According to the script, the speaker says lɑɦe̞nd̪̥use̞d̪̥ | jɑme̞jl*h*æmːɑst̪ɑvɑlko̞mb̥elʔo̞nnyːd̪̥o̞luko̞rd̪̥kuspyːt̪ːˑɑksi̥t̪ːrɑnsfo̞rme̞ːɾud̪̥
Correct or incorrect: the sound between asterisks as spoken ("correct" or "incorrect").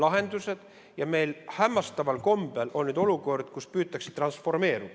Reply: correct